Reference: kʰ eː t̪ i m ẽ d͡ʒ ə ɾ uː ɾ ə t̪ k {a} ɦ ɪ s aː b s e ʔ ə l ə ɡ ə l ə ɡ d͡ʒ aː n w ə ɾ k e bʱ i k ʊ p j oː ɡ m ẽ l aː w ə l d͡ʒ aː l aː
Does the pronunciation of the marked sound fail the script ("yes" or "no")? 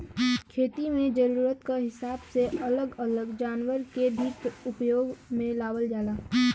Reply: no